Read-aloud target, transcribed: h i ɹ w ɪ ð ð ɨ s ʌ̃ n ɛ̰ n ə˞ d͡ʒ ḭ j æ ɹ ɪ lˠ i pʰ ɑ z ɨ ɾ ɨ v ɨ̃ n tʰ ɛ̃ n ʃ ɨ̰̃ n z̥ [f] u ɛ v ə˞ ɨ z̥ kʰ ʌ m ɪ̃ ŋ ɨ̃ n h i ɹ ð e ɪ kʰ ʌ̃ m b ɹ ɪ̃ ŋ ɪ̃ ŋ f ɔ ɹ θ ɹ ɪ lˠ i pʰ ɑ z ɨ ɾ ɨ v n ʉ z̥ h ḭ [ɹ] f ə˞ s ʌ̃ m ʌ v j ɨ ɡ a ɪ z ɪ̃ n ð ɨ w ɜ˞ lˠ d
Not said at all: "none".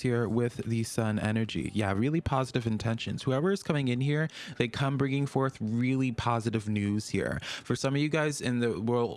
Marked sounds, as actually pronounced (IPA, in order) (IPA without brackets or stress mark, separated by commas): h, ɹ